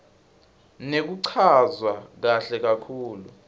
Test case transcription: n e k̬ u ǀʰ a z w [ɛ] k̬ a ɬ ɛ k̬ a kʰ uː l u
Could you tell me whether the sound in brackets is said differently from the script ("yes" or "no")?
yes